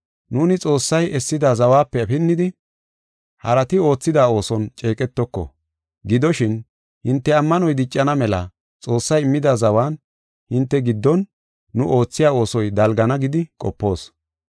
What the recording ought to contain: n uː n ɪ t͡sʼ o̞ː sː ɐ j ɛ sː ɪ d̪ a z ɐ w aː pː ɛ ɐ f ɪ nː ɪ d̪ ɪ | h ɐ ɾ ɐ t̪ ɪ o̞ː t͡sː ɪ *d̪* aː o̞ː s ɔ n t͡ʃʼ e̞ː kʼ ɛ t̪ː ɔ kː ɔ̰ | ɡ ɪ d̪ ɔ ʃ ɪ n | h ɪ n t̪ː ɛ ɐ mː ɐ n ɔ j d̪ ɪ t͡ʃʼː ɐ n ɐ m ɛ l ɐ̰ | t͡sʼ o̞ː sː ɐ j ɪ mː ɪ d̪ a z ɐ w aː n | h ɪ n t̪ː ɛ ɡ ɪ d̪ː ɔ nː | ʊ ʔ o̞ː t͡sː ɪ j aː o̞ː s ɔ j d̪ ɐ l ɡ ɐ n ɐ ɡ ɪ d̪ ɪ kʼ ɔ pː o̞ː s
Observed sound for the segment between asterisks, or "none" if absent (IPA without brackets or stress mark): d̪